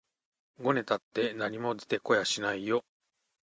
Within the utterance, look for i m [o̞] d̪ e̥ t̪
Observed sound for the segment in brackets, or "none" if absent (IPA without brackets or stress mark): o̞